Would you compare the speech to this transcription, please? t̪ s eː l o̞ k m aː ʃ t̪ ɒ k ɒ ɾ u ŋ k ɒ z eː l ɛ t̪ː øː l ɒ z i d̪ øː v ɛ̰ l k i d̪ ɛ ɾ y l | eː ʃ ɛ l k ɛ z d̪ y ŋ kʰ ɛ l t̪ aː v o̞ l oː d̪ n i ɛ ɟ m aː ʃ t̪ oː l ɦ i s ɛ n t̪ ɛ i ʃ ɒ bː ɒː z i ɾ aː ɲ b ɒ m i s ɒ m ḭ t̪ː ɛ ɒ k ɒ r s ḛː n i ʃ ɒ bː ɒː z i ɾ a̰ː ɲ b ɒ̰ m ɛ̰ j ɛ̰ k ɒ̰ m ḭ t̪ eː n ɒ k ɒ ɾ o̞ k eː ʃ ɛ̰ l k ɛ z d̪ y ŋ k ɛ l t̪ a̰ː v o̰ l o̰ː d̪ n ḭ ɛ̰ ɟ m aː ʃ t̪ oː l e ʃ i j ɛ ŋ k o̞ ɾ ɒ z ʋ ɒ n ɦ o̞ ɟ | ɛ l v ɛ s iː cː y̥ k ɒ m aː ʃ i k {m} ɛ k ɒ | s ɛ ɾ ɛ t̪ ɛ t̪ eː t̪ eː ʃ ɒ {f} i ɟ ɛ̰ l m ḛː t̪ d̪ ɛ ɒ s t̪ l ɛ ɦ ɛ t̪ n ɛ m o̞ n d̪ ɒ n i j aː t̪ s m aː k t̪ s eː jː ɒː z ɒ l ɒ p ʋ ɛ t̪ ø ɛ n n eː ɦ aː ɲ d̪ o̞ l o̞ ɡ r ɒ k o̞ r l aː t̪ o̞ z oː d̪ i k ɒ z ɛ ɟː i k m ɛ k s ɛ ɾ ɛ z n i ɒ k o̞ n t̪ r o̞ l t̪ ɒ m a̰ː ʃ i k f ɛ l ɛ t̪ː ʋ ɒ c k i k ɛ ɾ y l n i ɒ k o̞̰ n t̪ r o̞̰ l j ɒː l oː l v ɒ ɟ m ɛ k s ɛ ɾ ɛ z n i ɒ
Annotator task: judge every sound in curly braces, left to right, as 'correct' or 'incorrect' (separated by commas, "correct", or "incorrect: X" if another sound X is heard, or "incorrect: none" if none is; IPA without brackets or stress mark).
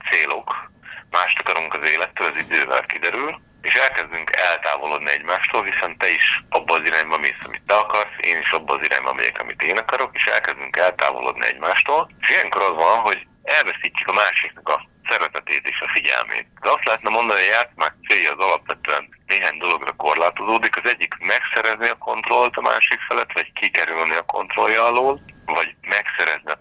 incorrect: n, correct